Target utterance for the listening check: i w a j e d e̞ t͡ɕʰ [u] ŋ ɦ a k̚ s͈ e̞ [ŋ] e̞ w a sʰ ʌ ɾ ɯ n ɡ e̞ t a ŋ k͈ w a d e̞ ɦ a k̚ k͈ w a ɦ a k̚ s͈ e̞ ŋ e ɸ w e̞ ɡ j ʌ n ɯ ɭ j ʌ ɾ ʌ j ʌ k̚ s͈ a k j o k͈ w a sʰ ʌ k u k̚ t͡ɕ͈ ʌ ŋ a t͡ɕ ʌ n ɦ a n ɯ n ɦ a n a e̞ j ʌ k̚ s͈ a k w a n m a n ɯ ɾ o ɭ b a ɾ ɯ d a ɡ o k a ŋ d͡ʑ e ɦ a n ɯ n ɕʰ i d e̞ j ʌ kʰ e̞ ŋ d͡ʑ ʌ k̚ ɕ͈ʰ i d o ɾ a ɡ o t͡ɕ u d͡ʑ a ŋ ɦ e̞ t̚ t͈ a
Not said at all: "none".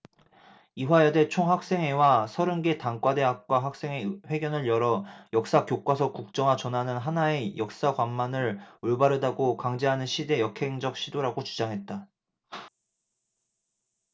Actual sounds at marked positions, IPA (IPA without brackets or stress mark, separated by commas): o, ŋ